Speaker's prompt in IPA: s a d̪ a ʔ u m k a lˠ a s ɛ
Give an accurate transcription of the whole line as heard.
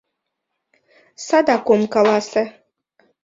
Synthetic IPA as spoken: s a d̪ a k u m k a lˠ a s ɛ